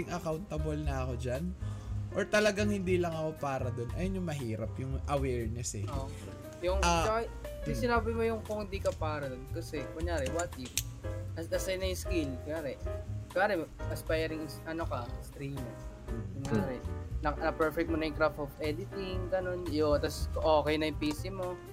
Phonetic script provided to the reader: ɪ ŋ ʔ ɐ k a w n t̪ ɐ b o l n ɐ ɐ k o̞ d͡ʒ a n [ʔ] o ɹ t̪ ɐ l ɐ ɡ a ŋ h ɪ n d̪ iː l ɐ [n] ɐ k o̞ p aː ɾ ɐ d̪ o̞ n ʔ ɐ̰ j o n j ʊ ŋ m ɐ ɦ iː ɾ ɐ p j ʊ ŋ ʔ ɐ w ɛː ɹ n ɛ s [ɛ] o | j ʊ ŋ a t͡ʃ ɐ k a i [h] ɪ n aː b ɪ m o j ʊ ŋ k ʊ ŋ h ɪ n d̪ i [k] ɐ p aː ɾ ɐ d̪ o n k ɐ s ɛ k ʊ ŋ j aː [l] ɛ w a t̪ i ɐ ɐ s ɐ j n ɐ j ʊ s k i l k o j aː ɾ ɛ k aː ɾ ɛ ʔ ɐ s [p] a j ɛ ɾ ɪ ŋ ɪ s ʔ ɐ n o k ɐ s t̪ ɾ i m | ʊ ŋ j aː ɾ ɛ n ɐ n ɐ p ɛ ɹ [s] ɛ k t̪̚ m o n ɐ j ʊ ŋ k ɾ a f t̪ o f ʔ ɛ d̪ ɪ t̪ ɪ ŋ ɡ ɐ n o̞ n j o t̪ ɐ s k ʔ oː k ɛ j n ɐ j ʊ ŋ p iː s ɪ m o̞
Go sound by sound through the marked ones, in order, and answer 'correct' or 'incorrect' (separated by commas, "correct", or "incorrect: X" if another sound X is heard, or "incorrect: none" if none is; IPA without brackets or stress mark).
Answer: correct, incorrect: ŋ, correct, incorrect: s, correct, incorrect: ɾ, correct, incorrect: f